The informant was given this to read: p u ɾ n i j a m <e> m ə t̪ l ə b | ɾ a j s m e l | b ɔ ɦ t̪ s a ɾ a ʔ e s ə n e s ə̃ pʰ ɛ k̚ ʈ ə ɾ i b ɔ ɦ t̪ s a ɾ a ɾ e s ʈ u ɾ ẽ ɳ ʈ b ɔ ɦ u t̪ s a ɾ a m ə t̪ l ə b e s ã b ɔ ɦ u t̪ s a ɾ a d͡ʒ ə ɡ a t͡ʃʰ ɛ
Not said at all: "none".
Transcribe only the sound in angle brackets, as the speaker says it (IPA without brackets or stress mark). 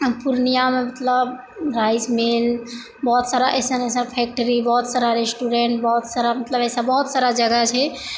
e